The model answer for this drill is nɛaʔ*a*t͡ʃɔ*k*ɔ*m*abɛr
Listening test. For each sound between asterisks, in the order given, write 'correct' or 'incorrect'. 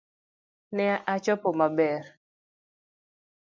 correct, incorrect: p, correct

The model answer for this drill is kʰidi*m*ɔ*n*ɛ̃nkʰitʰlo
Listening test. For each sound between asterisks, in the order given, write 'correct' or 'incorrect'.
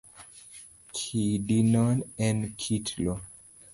incorrect: n, correct

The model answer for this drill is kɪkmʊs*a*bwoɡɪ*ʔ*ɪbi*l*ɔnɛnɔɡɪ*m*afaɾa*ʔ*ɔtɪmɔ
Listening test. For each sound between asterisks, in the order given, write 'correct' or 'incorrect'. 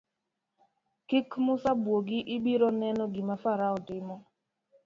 correct, correct, incorrect: ɾ, correct, incorrect: none

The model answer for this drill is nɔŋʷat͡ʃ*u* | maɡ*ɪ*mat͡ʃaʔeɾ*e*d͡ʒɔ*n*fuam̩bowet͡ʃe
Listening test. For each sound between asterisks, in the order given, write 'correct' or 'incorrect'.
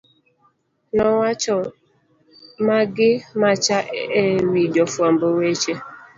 incorrect: ɔ, correct, incorrect: i, incorrect: none

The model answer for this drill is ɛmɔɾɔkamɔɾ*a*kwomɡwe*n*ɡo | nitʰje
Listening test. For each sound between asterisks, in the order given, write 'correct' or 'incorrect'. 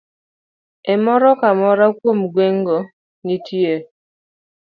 correct, incorrect: ŋ

